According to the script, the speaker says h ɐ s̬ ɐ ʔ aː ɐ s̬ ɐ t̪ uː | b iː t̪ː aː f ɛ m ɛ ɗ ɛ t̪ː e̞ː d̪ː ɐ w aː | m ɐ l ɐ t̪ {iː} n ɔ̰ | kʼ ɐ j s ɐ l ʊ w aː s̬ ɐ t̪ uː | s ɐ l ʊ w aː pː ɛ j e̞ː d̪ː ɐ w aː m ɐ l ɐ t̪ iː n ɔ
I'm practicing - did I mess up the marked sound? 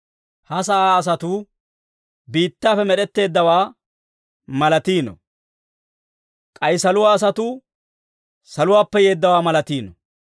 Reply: no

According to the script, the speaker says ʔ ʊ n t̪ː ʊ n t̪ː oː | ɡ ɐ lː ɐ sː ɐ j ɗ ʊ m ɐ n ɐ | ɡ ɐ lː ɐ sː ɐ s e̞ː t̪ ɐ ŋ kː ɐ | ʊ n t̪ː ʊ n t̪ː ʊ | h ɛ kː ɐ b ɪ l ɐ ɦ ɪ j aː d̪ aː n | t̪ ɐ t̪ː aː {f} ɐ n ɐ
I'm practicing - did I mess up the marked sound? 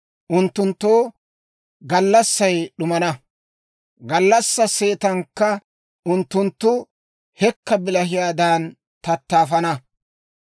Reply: no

